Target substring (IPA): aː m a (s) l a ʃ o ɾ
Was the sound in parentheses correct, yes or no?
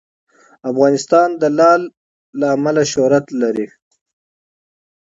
no